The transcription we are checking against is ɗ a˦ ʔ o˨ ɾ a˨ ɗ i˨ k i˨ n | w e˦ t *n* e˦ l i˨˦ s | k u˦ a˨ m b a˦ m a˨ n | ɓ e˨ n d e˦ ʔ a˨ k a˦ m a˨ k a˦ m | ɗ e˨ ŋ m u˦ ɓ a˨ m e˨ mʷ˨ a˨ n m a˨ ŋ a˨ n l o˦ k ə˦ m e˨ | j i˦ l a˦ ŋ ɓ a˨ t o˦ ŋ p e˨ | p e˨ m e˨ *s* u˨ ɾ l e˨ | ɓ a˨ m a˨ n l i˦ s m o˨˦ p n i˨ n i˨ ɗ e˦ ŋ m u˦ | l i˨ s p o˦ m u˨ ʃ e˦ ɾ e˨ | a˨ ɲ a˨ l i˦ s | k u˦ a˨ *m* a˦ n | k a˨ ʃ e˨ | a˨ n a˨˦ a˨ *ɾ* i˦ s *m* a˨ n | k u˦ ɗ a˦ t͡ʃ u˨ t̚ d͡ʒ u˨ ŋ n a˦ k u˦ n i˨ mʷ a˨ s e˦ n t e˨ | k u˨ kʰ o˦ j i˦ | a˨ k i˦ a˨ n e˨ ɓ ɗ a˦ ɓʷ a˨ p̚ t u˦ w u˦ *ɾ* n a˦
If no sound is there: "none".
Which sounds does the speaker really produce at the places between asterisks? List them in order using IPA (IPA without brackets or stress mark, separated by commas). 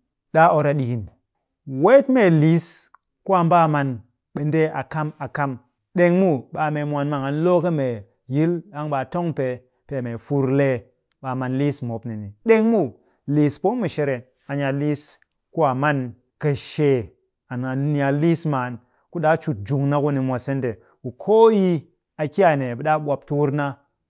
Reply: m, f, m, l, m, ɾ